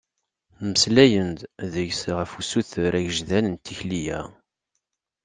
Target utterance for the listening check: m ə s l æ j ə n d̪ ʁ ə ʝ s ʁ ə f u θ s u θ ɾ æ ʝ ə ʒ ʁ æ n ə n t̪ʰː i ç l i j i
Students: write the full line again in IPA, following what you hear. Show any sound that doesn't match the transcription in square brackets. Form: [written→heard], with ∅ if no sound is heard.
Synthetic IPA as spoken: m ə s l æ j ə n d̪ [ʁ→ð] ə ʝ s ʁ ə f u [θ→∅] s u θ ɾ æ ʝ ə ʒ [ʁ→ð] æ n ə n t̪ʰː i ç l i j [i→æ]